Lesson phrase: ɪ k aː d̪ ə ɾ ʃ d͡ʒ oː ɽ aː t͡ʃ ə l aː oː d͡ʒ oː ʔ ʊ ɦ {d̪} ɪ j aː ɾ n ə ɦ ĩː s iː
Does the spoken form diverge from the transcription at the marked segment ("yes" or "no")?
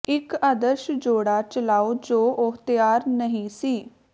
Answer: yes